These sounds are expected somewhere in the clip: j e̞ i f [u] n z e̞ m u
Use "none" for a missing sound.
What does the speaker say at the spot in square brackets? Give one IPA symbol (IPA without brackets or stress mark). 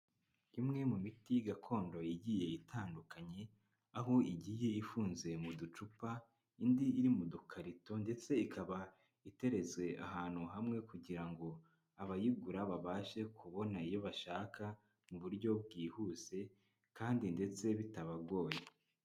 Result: uː